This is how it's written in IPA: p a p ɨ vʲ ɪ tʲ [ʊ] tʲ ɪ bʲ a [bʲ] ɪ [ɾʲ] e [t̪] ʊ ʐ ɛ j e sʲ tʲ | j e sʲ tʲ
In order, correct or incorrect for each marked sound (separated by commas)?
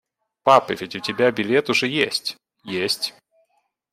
correct, correct, incorrect, correct